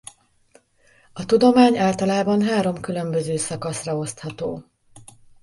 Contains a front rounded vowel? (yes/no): yes